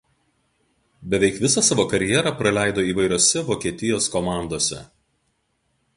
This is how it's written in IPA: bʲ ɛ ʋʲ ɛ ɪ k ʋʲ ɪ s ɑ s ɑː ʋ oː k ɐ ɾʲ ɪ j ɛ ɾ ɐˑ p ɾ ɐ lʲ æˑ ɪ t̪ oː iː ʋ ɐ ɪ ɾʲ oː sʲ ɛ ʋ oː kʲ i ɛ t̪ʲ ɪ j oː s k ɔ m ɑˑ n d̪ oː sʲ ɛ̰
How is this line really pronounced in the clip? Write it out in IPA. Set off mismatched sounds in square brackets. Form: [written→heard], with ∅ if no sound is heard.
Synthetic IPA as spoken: bʲ ɛ ʋʲ ɛ ɪ k ʋʲ ɪ s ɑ s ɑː ʋ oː k ɐ ɾʲ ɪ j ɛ ɾ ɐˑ p ɾ ɐ lʲ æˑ ɪ [t̪→d̪] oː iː ʋ ɐ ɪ ɾʲ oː sʲ ɛ ʋ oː kʲ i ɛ t̪ʲ ɪ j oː s k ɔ m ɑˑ n d̪ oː sʲ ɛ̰